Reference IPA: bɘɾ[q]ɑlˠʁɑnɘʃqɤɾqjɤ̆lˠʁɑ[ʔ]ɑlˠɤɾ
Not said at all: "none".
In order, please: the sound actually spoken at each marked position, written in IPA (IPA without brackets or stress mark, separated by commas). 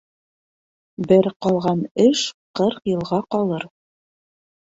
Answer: q, q